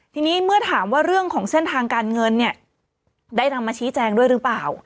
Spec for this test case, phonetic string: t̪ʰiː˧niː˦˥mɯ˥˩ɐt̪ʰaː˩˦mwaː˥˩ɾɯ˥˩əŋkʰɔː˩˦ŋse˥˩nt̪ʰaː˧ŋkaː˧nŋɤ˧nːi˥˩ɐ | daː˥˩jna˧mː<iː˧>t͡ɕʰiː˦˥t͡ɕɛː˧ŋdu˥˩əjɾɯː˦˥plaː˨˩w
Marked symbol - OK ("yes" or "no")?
no